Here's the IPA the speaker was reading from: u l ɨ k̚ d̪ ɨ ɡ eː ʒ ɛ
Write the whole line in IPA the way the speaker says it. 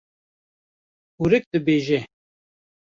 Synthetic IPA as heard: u ɾ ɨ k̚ d̪ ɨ b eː ʒ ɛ